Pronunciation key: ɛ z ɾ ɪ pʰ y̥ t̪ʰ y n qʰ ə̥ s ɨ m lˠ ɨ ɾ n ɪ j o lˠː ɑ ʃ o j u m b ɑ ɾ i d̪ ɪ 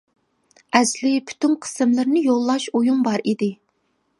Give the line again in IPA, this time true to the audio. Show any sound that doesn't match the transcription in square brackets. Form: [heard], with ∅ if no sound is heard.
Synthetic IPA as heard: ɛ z [l] ɪ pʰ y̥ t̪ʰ y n qʰ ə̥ s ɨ m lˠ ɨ ɾ n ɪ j o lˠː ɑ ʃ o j u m b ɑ ɾ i d̪ ɪ